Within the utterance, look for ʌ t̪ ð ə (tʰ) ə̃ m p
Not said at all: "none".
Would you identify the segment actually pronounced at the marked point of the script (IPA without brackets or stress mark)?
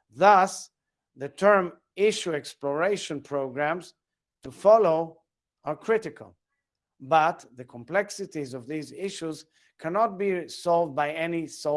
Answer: kʰ